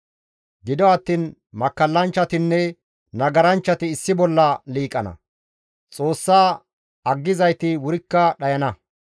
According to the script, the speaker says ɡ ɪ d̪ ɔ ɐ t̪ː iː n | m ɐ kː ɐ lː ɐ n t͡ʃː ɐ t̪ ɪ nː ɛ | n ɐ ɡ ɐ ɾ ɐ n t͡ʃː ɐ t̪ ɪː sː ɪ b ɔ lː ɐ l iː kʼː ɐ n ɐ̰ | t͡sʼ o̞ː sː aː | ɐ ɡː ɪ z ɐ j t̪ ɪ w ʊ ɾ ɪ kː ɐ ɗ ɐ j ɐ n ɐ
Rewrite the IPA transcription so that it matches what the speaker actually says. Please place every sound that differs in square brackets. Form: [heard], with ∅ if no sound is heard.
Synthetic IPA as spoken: ɡ ɪ d̪ ɔ ɐ t̪ː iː n | m ɐ kː ɐ lː ɐ n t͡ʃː ɐ t̪ ɪ nː ɛ | n ɐ ɡ ɐ ɾ ɐ n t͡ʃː ɐ t̪ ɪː sː ɪ b ɔ lː ɐ l iː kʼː ɐ n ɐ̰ | t͡sʼ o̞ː sː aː | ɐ ɡː ɪ z ɐ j t̪ ɪ w ʊ ɾ ɪ kː ɐ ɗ ɐ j ɐ n ɐ